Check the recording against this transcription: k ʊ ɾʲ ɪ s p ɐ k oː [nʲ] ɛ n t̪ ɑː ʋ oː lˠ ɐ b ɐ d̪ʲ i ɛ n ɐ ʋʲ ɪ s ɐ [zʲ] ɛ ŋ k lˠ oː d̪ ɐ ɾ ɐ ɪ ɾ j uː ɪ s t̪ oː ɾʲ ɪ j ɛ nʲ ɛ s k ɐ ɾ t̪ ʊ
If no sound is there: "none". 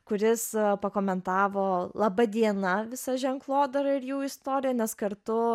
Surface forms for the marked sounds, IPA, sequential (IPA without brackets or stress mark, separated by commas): mʲ, ʒʲ